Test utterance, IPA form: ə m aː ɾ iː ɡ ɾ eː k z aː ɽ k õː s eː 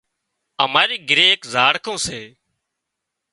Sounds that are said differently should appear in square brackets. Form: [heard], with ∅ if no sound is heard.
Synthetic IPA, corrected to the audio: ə m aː ɾ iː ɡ ɾ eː k z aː ɽ k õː s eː